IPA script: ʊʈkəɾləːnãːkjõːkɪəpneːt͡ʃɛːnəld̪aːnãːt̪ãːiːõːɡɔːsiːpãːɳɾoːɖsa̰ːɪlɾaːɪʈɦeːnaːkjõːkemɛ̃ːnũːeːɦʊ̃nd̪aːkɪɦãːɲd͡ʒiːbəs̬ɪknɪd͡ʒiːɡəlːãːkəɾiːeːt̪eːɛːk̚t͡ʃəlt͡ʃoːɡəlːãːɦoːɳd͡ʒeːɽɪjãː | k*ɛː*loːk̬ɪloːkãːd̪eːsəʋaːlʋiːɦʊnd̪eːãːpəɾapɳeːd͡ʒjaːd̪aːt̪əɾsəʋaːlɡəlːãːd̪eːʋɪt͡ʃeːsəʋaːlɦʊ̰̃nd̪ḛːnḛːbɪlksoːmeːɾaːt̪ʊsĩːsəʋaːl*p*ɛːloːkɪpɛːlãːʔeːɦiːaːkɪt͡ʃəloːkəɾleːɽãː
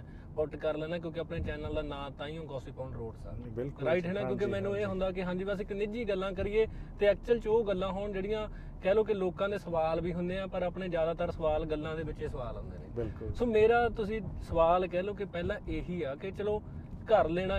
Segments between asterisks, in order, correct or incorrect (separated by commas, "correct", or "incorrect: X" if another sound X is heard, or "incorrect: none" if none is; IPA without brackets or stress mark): correct, incorrect: k